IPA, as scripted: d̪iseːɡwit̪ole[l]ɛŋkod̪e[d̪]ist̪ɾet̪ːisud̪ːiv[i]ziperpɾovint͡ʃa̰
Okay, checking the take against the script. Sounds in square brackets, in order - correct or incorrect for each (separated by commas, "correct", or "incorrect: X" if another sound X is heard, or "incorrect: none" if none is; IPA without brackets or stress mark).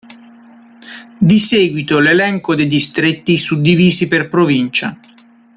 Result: correct, correct, incorrect: iː